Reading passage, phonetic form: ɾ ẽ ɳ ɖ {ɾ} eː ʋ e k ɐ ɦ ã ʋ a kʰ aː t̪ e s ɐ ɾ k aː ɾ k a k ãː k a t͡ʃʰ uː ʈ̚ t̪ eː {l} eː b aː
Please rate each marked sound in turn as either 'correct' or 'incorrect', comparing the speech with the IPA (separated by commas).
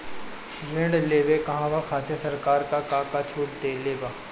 incorrect, correct